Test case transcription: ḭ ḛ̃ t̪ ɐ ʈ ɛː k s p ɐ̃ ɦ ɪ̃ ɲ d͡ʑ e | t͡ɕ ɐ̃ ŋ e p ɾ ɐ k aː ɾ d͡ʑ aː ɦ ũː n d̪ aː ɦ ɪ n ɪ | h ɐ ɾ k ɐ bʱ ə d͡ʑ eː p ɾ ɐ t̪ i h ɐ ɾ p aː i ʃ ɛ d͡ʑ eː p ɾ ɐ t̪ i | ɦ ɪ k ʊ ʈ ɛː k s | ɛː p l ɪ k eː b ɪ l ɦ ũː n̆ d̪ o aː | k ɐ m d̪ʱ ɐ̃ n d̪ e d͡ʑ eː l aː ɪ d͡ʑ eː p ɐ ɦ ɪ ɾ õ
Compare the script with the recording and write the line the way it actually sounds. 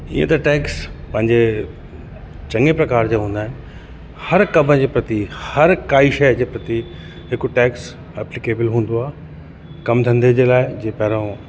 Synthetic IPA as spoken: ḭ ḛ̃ t̪ ɐ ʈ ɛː k s p ɐ̃ ɦ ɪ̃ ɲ d͡ʑ e | t͡ɕ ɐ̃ ŋ e p ɾ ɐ k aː ɾ d͡ʑ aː ɦ ũː n d̪ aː ɦ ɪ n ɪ | h ɐ ɾ k ɐ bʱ ə d͡ʑ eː p ɾ ɐ t̪ i h ɐ ɾ k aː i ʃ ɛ d͡ʑ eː p ɾ ɐ t̪ i | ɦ ɪ k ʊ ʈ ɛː k s | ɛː p l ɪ k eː b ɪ l ɦ ũː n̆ d̪ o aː | k ɐ m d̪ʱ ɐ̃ n d̪ e d͡ʑ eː l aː ɪ d͡ʑ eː p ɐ ɦ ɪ ɾ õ